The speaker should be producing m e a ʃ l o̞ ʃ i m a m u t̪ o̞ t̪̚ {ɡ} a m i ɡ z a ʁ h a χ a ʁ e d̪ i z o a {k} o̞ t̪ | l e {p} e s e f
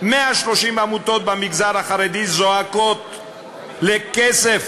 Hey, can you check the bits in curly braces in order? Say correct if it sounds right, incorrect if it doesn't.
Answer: incorrect: b, correct, incorrect: k

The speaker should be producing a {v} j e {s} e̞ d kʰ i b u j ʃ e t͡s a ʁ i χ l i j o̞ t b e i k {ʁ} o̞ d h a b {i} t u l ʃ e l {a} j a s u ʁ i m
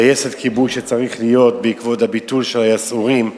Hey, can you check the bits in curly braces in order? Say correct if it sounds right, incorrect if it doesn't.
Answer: incorrect: none, correct, incorrect: v, correct, correct

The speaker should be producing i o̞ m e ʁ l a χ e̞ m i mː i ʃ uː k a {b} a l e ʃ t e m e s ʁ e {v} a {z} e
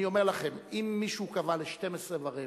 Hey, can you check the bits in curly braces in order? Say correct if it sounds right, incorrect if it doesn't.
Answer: incorrect: v, correct, incorrect: ʁ

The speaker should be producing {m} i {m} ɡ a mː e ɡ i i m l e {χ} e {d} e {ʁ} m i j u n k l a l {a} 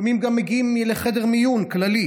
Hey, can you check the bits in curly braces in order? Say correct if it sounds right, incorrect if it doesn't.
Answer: correct, correct, correct, correct, correct, incorrect: i

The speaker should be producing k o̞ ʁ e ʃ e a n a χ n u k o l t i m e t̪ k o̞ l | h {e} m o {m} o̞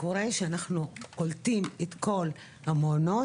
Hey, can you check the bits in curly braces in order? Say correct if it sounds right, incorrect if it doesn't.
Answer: incorrect: a, incorrect: n

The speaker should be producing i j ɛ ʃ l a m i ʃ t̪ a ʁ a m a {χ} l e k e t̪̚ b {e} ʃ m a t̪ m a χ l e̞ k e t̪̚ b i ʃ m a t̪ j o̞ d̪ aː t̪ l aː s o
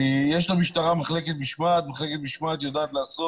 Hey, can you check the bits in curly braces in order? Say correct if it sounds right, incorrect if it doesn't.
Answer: correct, incorrect: i

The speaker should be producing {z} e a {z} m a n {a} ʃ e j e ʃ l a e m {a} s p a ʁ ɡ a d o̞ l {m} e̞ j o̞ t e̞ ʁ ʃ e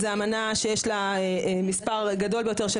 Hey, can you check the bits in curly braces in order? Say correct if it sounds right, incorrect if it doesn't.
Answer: correct, incorrect: none, correct, incorrect: i, incorrect: b

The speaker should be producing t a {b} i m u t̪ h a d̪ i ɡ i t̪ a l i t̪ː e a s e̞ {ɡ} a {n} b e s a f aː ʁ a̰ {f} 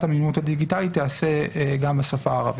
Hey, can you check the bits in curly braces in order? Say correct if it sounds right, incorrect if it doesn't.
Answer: incorrect: m, correct, incorrect: m, incorrect: v

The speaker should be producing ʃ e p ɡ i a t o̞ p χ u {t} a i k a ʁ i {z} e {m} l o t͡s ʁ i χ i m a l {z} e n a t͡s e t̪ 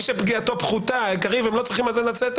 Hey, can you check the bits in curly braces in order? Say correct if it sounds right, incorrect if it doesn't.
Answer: correct, incorrect: v, correct, correct

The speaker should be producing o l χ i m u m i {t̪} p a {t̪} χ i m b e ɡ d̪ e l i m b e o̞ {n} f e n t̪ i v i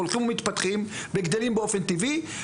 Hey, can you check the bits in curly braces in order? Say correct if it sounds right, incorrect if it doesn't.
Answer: correct, correct, incorrect: none

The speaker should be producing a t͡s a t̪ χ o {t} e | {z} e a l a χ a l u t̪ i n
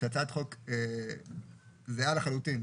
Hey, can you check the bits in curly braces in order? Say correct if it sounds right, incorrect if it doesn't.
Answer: incorrect: k, correct

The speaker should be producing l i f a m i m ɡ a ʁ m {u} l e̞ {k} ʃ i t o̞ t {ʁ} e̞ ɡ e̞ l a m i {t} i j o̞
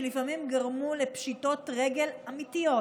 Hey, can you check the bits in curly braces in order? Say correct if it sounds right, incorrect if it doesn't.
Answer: correct, incorrect: p, correct, correct

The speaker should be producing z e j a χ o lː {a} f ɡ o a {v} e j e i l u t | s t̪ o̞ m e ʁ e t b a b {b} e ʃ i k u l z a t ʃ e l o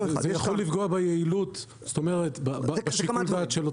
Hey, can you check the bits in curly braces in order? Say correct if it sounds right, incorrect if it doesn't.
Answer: incorrect: i, incorrect: b, correct

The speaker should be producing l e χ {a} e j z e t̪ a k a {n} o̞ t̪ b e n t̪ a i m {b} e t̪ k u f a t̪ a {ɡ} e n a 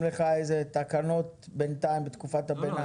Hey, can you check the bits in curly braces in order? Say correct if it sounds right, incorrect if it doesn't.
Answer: correct, correct, correct, incorrect: b

